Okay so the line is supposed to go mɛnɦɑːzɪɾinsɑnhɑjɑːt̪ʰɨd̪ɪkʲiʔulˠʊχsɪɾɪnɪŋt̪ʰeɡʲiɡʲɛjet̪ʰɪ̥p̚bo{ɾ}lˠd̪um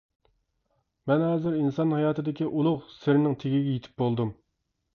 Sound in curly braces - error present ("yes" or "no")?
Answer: yes